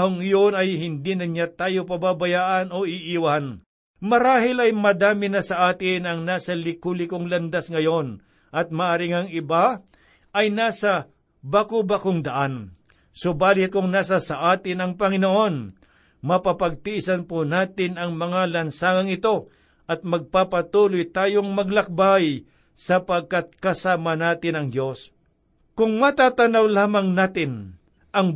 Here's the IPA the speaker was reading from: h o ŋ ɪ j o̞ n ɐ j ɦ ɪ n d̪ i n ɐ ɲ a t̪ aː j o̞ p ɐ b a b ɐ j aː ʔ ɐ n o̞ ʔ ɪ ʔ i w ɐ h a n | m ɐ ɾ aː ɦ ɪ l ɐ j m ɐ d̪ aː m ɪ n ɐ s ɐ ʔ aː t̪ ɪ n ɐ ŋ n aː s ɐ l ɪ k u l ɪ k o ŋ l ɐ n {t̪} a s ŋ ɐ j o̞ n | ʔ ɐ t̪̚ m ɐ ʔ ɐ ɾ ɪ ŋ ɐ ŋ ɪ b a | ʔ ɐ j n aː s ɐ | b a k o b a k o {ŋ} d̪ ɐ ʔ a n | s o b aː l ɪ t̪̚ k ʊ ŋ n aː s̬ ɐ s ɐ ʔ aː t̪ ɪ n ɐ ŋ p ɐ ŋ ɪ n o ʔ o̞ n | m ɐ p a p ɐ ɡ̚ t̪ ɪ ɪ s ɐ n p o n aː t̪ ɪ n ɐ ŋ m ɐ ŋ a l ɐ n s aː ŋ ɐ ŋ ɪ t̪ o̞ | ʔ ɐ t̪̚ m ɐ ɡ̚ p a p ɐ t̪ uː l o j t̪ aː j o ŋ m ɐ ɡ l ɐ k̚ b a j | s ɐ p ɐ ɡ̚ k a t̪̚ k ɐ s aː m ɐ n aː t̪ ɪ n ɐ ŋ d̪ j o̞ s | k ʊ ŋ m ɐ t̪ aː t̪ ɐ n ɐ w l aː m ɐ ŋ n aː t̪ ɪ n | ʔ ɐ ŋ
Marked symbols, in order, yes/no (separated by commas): no, yes